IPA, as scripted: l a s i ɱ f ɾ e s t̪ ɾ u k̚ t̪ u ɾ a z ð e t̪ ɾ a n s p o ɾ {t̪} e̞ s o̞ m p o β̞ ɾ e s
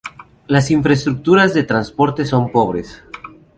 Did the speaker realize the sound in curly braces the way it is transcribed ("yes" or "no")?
yes